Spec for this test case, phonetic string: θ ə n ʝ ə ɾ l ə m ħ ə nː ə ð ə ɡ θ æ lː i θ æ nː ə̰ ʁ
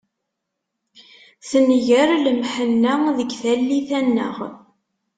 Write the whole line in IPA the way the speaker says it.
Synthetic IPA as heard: θ ə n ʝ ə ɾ l ə m ħ ə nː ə ð ə ɡ θ æ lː i θ æ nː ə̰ ʁ